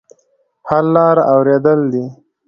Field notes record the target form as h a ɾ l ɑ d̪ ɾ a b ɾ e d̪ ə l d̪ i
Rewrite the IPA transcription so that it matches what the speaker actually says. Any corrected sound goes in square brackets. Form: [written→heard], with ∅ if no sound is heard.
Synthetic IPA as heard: h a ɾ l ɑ [d̪→∅] ɾ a [b→w] ɾ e d̪ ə l d̪ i